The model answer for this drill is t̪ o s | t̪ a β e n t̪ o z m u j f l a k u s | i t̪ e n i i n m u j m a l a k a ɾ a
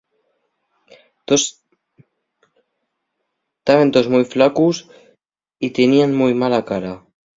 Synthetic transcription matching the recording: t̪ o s | t̪ a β e n t̪ o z m u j f l a k u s | i t̪ e n i a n m u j m a l a k a ɾ a

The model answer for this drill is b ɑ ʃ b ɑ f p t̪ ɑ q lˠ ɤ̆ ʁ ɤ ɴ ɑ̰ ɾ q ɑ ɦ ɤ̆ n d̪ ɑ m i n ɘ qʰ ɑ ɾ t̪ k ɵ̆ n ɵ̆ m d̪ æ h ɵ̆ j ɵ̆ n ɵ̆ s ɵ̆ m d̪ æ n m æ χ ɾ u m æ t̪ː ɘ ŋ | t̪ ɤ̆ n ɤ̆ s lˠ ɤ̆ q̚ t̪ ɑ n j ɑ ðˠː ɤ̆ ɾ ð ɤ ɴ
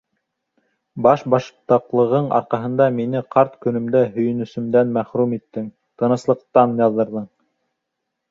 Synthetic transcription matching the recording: b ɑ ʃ b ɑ ʃ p t̪ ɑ q lˠ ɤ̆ ʁ ɤ ɴ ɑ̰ ɾ q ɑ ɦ ɤ̆ n d̪ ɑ m i n ɘ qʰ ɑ ɾ t̪ k ɵ̆ n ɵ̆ m d̪ æ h ɵ̆ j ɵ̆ n ɵ̆ s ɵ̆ m d̪ æ n m æ χ ɾ u m i t̪ː ɘ ŋ | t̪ ɤ̆ n ɤ̆ s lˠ ɤ̆ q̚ t̪ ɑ n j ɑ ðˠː ɤ̆ ɾ ð ɤ ɴ

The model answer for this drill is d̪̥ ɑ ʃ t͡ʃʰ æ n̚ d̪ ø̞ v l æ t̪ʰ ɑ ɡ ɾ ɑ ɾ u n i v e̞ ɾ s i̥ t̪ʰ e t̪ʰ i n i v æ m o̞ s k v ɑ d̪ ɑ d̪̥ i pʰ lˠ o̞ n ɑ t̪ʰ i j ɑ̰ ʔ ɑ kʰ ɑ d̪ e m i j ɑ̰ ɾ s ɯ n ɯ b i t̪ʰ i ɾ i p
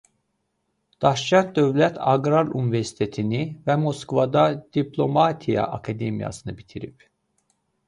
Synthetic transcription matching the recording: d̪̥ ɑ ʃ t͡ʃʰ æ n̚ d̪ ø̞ v l æ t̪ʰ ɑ ɡ ɾ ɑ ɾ u n i v e̞ ɾ s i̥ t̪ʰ e t̪ʰ i n i v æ m o̞ s k v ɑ d̪ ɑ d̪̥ i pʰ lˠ o̞ m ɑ t̪ʰ i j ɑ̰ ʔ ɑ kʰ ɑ d̪ e m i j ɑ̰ s ɯ n ɯ b i t̪ʰ i ɾ i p

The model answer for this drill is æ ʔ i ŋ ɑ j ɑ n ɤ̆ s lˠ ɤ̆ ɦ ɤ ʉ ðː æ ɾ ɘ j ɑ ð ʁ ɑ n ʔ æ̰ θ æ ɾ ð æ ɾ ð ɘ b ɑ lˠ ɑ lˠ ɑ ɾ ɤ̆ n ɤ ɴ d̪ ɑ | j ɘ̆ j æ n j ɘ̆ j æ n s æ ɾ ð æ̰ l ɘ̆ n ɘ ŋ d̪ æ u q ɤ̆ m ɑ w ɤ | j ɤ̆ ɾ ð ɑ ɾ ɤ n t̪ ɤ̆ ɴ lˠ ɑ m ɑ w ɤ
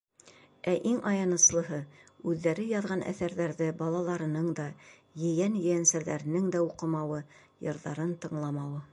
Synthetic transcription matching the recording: æ ʔ i ŋ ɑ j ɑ n ɤ̆ s lˠ ɤ̆ ɦ ɤ ʉ ðː æ ɾ ɘ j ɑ ð ʁ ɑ n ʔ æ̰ θ æ ɾ ð æ ɾ ð ɘ b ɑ lˠ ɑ lˠ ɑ ɾ ɤ̆ n ɤ ɴ d̪ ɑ | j ɘ̆ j æ n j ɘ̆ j æ n s æ ɾ ð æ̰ ɾ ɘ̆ n ɘ ŋ d̪ æ u q ɤ̆ m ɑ w ɤ | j ɤ̆ ɾ ð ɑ ɾ ɤ n t̪ ɤ̆ ɴ lˠ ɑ m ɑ w ɤ

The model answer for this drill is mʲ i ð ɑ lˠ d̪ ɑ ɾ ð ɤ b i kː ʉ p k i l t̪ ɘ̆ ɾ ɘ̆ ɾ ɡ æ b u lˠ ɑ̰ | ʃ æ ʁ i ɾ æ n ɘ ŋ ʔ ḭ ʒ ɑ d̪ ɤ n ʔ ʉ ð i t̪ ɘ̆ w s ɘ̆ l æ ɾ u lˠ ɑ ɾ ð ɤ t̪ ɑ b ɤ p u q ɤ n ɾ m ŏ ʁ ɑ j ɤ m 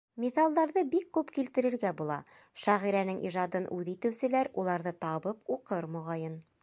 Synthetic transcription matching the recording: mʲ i θ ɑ lˠ d̪ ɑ ɾ ð ɤ b i kː ʉ p k i l t̪ ɘ̆ ɾ ɘ̆ ɾ ɡ æ b u lˠ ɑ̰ | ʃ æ ʁ i ɾ æ n ɘ ŋ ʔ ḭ ʒ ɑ d̪ ɤ n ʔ ʉ ð i t̪ ɘ̆ w s ɘ̆ l æ ɾ u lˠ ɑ ɾ ð ɤ t̪ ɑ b ɤ p u q ɤ ɾ m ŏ ʁ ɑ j ɤ n

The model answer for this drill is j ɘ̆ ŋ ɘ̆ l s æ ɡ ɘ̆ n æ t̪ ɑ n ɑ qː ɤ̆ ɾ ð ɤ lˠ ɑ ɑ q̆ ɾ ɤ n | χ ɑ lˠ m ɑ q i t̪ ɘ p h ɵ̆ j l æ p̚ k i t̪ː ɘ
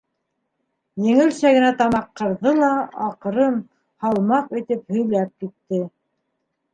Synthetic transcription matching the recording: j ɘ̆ ŋ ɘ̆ l s æ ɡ ɘ̆ n æ t̪ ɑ m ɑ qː ɤ̆ ɾ ð ɤ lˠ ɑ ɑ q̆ ɾ ɤ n | h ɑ lˠ m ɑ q i t̪ ɘ p h ɵ̆ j l æ p̚ k i t̪ː ɘ

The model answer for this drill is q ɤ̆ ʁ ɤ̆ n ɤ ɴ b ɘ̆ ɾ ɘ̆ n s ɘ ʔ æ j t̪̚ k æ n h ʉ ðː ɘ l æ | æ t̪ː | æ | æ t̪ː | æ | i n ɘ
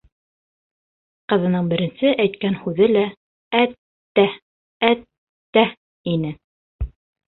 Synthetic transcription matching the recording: q ɤ̆ ð ɤ̆ n ɤ ɴ b ɘ̆ ɾ ɘ̆ n s ɘ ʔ æ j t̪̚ k æ n h ʉ ð ɘ l æ | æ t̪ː | æ | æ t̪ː | æ | i n ɘ

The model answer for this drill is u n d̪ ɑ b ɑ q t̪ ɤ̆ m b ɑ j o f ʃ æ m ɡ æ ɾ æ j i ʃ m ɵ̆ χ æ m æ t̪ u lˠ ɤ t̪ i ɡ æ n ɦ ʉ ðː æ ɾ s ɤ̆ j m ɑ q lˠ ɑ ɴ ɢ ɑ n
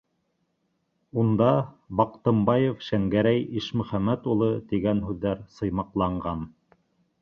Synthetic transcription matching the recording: u n d̪ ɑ b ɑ q t̪ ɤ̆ m b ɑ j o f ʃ æ ŋ ɡ æ ɾ æ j i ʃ m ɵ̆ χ æ m æ t̪ u lˠ ɤ t̪ i ɡ æ n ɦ ʉ ðː æ ɾ s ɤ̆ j m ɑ q lˠ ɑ ɴ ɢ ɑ n

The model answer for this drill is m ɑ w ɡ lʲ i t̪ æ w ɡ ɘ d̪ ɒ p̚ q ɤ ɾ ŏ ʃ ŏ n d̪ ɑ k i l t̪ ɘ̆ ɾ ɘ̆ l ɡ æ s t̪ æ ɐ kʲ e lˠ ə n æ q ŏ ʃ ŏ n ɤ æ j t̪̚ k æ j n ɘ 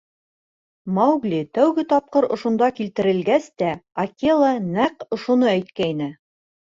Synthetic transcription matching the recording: m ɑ w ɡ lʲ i t̪ æ w ɡ ɘ t̪ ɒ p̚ q ɤ ɾ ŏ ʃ ŏ n d̪ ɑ k i l t̪ ɘ̆ ɾ ɘ̆ l ɡ æ s t̪ æ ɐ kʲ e lˠ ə n æ q ŏ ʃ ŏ n ɤ æ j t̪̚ k æ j n ɘ

